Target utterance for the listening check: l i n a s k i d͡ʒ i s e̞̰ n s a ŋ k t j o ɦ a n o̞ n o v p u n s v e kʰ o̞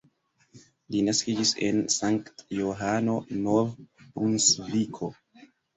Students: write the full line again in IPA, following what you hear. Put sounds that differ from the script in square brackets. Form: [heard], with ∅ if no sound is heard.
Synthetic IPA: l i n a s k i d͡ʒ i s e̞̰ n s a ŋ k t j o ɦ a n o̞ n o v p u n s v [i] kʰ o̞

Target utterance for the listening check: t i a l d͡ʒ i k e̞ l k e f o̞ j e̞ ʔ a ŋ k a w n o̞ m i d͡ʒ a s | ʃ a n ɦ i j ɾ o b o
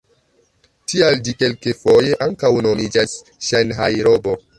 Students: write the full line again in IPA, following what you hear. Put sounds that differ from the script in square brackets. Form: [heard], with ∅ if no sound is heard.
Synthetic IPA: t i a l d͡ʒ i k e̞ l k e f o̞ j e̞ ʔ a ŋ k a w n o̞ m i d͡ʒ a s | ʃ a n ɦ [a] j ɾ o b o

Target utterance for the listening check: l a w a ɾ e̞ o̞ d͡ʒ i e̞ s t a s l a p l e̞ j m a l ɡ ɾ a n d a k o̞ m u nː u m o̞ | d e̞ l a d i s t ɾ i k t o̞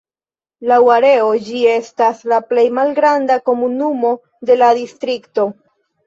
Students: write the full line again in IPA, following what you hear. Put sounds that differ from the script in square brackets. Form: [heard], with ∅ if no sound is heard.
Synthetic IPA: l a w a ɾ e̞ o̞ d͡ʒ i e̞ s t a s l a p l e̞ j m a l ɡ ɾ a n d a k o̞ m u [n] u m o̞ | d e̞ l a d i s t ɾ i k t o̞

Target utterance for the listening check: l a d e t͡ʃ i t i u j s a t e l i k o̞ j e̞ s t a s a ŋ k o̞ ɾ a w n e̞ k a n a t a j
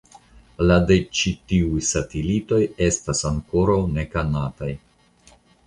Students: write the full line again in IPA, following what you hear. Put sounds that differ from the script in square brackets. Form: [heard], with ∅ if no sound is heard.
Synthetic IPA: l a d e t͡ʃ i t i u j s a t e l i [t] o̞ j e̞ s t a s a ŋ k o̞ ɾ a w n e̞ k a n a t a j

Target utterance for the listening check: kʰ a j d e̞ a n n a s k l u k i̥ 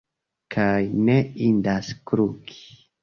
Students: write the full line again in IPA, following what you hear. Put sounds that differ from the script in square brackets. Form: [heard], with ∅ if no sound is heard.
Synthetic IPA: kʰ a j [n] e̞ [i] n [d] a s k [ɾ] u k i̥

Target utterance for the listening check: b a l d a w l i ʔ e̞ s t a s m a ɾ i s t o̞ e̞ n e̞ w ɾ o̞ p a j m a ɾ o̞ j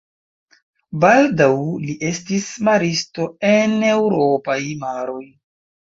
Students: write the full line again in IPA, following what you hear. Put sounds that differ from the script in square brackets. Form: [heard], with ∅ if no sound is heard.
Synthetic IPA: b a l d a w l i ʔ e̞ s t [i] s m a ɾ i s t o̞ e̞ n e̞ w ɾ o̞ p a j m a ɾ o̞ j

